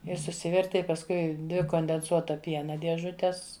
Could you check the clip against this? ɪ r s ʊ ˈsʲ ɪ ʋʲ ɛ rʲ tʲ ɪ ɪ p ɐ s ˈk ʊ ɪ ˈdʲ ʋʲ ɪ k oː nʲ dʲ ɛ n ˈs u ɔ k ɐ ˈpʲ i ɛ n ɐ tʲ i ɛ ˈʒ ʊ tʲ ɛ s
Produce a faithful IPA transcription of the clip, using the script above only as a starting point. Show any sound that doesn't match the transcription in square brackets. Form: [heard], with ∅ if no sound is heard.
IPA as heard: ɪ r s ʊ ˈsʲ ɪ ʋʲ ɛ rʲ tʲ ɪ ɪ p ɐ s ˈk ʊ ɪ ˈdʲ ʋʲ ɪ k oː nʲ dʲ ɛ n ˈs u ɔ [t] ɐ ˈpʲ i ɛ n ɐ [dʲ] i ɛ ˈʒ ʊ tʲ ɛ s